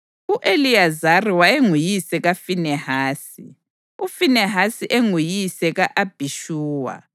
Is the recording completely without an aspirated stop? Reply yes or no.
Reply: yes